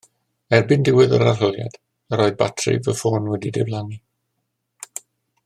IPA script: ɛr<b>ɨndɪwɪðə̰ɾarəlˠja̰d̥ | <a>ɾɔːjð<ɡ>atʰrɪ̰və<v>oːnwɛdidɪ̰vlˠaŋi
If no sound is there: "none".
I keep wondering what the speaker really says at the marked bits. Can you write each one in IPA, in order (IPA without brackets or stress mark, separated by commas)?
b, ə, b, f